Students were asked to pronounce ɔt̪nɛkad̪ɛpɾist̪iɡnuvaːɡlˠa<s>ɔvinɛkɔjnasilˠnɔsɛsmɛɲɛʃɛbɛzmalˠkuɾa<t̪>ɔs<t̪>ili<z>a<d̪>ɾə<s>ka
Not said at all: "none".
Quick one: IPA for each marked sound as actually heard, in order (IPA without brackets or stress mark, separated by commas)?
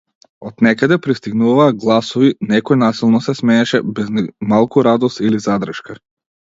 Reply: s, d̪, t̪, z, d̪, ʃ